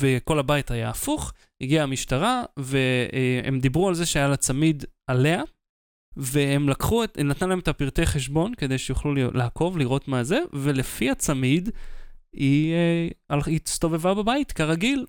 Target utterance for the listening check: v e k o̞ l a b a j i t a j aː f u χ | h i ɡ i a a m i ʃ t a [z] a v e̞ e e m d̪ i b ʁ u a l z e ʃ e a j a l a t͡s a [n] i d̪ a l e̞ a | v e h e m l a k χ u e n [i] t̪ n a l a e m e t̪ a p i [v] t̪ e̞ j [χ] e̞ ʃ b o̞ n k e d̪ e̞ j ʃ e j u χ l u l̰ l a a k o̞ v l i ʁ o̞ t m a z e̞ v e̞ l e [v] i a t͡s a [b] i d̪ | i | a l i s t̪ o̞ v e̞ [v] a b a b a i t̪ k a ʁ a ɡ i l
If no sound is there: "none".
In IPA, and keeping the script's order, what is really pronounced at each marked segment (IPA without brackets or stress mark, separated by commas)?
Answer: ʁ, m, a, ʁ, χ, f, m, v